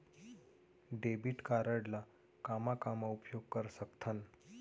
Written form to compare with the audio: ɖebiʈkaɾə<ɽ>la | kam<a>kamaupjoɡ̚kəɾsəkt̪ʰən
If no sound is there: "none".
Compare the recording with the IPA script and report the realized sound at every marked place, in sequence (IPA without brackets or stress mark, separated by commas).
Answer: ɽ, a